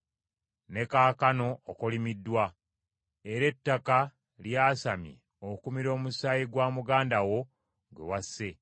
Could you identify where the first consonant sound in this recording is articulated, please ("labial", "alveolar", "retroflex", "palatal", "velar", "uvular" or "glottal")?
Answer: alveolar